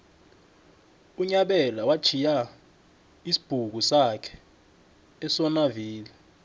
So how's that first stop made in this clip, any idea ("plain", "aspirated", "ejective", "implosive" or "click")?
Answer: implosive